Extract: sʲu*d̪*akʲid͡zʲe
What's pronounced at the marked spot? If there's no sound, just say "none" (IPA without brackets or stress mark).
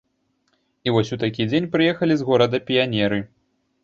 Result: t̪